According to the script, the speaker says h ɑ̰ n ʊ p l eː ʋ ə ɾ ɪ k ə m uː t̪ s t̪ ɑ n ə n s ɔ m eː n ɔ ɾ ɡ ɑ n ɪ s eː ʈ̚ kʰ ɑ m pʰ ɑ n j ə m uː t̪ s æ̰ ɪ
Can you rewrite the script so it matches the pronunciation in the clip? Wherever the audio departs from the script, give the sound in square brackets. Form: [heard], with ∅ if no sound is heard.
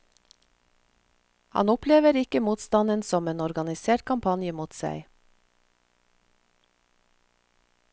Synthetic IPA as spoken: h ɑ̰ n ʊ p l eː ʋ ə ɾ ɪ k ə m uː t̪ s t̪ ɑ n ə n s ɔ m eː n ɔ ɾ ɡ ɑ n ɪ s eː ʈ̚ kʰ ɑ m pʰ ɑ n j ə m uː t̪ s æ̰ ɪ